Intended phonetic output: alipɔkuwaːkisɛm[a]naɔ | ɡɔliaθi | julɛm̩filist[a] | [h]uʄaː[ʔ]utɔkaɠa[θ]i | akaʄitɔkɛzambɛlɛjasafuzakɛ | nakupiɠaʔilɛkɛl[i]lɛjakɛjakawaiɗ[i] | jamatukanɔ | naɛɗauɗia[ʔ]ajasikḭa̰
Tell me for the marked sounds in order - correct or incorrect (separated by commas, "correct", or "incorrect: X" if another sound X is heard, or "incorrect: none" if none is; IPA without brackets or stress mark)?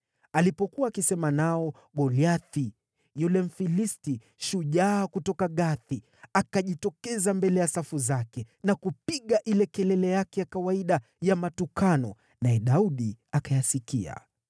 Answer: correct, incorrect: i, incorrect: ʃ, incorrect: k, correct, incorrect: ɛ, incorrect: a, incorrect: k